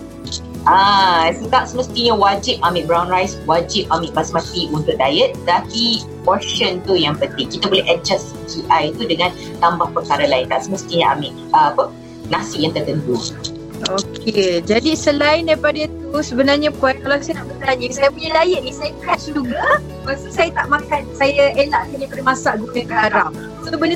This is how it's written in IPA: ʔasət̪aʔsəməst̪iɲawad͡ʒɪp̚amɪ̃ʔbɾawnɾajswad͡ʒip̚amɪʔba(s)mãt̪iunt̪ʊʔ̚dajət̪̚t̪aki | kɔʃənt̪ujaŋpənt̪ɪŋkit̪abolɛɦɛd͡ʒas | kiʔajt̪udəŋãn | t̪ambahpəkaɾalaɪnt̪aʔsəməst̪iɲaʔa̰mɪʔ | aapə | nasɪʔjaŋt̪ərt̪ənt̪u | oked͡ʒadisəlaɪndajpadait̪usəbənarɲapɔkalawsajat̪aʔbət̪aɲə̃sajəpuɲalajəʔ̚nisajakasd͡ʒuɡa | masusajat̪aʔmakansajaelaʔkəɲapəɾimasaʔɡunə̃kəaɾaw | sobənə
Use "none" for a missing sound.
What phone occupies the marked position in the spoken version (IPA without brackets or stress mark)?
s